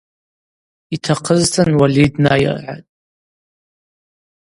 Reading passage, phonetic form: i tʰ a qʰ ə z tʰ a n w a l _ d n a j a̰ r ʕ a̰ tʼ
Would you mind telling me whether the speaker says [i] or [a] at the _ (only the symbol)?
i